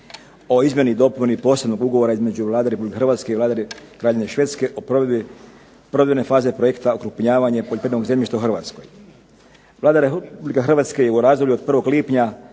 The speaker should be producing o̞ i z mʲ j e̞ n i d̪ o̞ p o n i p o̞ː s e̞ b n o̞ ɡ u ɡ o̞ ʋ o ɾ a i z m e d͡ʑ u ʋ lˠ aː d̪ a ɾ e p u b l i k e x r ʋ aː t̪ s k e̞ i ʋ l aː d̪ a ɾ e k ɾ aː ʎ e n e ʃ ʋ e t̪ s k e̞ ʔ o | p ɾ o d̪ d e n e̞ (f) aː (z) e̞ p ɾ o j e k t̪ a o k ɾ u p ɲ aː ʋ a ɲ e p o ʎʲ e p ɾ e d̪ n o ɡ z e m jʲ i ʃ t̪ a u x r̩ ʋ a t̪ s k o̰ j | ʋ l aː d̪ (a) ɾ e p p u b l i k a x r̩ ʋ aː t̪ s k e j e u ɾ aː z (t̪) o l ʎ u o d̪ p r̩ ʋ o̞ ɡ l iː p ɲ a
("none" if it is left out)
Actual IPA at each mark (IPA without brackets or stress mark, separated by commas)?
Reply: f, z, a, d̪